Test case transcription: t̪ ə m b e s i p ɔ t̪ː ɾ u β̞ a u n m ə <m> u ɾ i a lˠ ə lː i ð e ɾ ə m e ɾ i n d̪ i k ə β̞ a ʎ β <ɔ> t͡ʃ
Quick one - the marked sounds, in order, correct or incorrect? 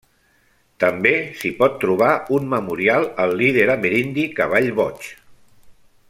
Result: correct, correct

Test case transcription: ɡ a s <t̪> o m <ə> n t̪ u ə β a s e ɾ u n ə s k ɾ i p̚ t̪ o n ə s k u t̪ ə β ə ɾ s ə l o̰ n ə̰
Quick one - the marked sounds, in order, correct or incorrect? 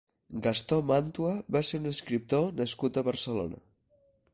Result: correct, incorrect

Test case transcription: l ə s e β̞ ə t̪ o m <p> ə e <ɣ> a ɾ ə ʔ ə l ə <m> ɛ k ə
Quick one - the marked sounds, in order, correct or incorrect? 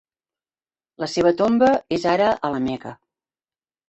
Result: incorrect, incorrect, correct

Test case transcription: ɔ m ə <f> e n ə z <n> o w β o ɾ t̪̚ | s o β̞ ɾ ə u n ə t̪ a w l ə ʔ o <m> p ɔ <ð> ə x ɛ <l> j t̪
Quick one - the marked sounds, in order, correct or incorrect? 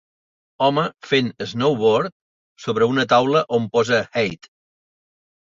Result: correct, correct, correct, incorrect, incorrect

